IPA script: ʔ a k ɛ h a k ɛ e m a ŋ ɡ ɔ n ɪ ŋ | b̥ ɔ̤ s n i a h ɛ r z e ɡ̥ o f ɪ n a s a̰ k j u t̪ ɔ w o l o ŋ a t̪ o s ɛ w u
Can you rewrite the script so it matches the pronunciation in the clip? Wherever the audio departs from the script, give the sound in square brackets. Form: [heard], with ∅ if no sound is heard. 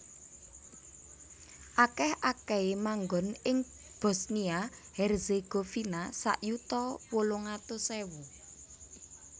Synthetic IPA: ʔ a k ɛ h a k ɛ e m a ŋ ɡ ɔ n ɪ ŋ | b̥ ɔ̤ s n i a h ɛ r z e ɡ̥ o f [i] n a s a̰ [ʔ] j u t̪ ɔ w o l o ŋ a t̪ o s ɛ w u